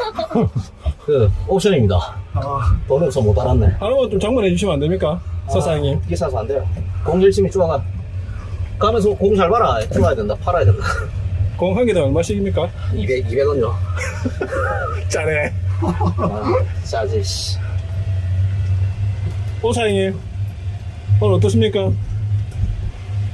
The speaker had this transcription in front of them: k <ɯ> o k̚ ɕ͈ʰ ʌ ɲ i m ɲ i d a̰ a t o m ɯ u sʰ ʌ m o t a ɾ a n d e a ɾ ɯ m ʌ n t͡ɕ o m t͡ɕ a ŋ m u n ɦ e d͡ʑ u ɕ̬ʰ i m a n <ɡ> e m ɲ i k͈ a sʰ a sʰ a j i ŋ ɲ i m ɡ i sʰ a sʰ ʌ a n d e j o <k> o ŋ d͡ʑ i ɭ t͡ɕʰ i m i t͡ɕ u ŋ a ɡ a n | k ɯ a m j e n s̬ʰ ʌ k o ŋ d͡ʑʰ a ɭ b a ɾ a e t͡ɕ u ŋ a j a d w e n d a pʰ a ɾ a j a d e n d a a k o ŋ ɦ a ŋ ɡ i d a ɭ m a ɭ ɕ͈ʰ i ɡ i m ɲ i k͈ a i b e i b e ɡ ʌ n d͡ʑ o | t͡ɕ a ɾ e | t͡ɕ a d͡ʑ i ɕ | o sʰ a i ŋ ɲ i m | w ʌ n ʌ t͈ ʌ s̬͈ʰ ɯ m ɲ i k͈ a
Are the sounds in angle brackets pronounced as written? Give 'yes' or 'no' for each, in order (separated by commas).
yes, no, yes